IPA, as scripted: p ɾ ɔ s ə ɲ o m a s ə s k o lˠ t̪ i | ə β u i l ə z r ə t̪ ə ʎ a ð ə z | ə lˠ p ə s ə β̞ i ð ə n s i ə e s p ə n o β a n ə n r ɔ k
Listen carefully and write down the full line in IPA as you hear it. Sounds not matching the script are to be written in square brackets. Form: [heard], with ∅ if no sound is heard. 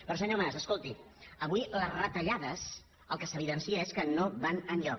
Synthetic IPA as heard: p ɾ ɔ s ə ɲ o m a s ə s k o lˠ t̪ i | ə β u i l ə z r ə t̪ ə ʎ a ð ə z | ə lˠ [k] ə s ə β̞ i ð ə n s i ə e s [k] ə n o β a n ə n [ʎ] ɔ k